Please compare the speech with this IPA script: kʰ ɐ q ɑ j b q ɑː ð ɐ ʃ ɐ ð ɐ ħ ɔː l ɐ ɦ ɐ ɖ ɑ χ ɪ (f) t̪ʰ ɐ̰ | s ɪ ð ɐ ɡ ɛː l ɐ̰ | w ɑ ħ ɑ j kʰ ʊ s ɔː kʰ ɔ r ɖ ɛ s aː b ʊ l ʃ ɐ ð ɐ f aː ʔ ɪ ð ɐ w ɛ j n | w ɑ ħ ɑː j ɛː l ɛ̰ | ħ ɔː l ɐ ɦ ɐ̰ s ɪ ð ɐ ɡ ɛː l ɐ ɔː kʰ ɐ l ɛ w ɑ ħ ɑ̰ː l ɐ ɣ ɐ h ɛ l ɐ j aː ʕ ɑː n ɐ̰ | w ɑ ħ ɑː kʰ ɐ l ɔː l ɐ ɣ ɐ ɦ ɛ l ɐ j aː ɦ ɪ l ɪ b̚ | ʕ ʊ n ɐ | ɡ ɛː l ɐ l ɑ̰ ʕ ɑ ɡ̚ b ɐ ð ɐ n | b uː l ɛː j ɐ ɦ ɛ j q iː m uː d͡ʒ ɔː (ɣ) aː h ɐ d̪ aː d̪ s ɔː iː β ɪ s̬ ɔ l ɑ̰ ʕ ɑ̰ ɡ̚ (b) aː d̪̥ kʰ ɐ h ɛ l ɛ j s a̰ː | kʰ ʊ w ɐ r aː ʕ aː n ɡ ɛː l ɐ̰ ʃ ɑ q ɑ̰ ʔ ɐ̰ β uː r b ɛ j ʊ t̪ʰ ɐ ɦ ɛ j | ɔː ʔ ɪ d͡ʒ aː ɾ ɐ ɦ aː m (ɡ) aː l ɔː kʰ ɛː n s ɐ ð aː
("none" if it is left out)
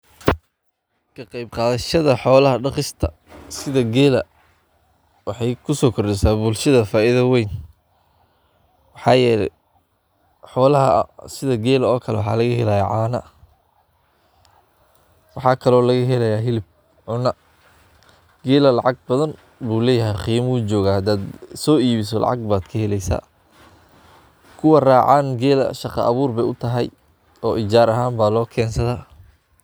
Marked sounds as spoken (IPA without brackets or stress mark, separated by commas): s, ɣ, b, b